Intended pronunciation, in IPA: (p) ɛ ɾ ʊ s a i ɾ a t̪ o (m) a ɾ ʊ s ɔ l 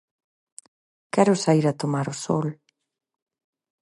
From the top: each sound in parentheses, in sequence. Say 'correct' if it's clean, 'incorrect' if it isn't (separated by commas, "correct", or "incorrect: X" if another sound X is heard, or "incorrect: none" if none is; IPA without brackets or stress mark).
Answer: incorrect: k, correct